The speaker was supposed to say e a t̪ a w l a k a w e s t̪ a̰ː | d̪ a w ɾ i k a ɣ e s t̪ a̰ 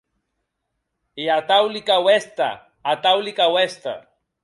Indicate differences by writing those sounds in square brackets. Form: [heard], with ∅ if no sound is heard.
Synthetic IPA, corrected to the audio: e a t̪ a w l [i] k a w e s t̪ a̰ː | [t̪] a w [l] i k a [w] e s t̪ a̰